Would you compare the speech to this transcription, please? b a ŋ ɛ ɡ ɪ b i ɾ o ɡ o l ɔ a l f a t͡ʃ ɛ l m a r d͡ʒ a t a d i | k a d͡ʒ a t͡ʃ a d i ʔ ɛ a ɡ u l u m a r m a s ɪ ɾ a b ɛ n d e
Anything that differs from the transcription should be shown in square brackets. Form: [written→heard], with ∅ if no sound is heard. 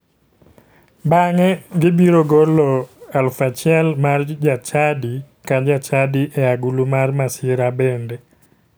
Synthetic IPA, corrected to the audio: b a ŋ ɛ ɡ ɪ b i ɾ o ɡ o l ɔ a l f a t͡ʃ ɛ l m a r d͡ʒ a [t→t͡ʃ] a d i | k a d͡ʒ a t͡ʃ a d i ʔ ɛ a ɡ u l u m a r m a s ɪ ɾ a b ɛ n d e